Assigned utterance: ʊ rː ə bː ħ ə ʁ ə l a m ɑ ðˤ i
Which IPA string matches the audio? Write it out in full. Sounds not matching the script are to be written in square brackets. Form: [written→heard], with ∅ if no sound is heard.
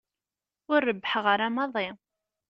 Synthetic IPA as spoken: ʊ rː ə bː ħ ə ʁ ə [l→ɾ] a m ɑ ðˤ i